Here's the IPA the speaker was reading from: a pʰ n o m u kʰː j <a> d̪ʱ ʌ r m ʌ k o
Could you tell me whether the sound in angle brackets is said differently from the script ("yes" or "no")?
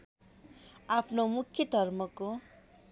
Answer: yes